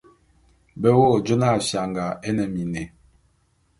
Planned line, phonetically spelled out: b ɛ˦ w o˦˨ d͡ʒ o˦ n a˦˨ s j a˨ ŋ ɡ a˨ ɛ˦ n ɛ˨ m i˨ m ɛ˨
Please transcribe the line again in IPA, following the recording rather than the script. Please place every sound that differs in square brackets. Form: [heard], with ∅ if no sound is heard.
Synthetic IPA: b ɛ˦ w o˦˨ d͡ʒ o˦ n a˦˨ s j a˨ ŋ ɡ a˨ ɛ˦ n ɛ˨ m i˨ [n] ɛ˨